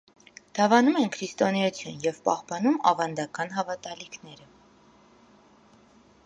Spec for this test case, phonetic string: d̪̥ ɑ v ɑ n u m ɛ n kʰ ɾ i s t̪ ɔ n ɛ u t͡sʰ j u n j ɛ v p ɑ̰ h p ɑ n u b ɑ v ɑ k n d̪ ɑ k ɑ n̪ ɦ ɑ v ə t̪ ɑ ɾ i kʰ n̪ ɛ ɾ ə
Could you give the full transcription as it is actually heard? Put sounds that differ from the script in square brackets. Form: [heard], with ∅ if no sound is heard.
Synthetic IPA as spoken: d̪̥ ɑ v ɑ n u m ɛ n kʰ ɾ i s t̪ ɔ n ɛ u t͡sʰ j u n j ɛ v p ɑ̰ h p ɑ n u [m] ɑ v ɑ [∅] n d̪ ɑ k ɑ n̪ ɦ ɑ v [ɑ] t̪ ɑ [l] i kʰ n̪ ɛ ɾ ə